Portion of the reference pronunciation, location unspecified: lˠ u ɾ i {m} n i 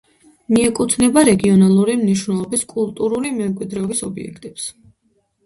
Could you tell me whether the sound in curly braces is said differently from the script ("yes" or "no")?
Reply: no